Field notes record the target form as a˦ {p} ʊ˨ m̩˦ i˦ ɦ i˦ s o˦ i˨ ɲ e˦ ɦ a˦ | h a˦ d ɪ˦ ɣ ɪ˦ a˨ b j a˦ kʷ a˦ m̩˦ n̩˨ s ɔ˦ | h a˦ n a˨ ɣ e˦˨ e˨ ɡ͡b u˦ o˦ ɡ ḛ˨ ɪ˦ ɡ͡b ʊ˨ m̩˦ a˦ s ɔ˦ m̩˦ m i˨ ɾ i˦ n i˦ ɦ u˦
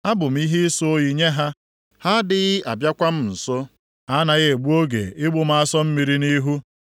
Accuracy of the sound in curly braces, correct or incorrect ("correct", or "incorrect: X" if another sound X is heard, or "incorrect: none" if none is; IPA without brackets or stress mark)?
incorrect: b